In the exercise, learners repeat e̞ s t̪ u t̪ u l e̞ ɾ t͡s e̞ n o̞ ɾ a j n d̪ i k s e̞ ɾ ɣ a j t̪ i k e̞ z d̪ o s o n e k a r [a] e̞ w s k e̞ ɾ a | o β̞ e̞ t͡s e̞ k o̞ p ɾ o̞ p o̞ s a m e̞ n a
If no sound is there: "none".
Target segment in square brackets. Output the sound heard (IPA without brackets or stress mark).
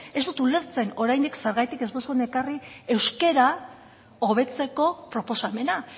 i